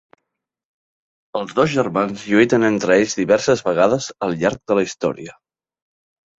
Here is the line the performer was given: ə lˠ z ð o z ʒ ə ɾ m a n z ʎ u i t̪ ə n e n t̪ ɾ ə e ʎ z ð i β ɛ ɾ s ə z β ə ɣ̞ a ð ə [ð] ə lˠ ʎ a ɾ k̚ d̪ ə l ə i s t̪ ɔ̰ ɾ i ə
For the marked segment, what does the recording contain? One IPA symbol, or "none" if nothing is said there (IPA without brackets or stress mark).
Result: z